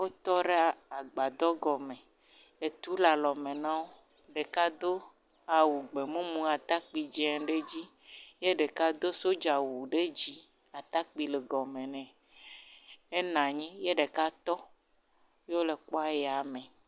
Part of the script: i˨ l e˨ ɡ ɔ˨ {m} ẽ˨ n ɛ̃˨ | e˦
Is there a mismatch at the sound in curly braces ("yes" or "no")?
no